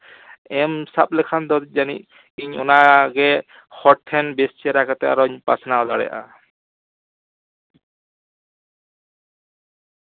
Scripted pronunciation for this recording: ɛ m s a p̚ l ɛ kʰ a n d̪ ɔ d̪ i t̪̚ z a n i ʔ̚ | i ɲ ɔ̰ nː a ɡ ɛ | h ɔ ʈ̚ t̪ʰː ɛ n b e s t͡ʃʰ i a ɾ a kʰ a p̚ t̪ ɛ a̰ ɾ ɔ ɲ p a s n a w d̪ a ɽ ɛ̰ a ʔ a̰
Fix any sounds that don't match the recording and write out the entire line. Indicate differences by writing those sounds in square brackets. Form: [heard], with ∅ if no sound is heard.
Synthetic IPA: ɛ m s a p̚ l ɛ kʰ a n d̪ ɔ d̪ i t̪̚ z a n i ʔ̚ | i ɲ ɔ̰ [n] a ɡ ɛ | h ɔ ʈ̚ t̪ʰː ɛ n b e s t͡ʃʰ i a ɾ a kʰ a [∅] t̪ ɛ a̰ ɾ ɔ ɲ p a s n a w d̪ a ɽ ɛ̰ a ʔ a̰